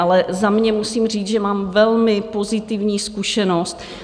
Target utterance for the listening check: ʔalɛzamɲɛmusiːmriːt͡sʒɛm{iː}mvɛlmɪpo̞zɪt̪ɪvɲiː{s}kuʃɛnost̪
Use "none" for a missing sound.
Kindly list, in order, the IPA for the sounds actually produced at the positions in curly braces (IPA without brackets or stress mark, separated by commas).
aː, s